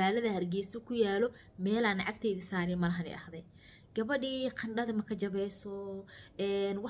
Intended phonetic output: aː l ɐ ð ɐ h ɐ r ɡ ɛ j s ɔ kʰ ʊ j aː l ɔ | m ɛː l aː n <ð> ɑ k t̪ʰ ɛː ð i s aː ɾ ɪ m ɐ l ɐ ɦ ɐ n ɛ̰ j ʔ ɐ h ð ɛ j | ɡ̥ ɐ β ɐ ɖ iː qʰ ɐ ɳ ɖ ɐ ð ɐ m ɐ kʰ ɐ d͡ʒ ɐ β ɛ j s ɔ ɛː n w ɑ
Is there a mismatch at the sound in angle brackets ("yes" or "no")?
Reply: yes